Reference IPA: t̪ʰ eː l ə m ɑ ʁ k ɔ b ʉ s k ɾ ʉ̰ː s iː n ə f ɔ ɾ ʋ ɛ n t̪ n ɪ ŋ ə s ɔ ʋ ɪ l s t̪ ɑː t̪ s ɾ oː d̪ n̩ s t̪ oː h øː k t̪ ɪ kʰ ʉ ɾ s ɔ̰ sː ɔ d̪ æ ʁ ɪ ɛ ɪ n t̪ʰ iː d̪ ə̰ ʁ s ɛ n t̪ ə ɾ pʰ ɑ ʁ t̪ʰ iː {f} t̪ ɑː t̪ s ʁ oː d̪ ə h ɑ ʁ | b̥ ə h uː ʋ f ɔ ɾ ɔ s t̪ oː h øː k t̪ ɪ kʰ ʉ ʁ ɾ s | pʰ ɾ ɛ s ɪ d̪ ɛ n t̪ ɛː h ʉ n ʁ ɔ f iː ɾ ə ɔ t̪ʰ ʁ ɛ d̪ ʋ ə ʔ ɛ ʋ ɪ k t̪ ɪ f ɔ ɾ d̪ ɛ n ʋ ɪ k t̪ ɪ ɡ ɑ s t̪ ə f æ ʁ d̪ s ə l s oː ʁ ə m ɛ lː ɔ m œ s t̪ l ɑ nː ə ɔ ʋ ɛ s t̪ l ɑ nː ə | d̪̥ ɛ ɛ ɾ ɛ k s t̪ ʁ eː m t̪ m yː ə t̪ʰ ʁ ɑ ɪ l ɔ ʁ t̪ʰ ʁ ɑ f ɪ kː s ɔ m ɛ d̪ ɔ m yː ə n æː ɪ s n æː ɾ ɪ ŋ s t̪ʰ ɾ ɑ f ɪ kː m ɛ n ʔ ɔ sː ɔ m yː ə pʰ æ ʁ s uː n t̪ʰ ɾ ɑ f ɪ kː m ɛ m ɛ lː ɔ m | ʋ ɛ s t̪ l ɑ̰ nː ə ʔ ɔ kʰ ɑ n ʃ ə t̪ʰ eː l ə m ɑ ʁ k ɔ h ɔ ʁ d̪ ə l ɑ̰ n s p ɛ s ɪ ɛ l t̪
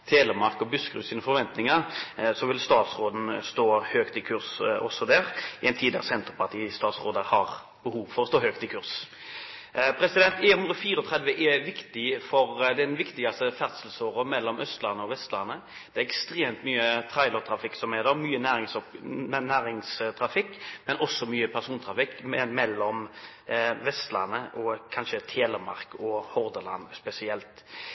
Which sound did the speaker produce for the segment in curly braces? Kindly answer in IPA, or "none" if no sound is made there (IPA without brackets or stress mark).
s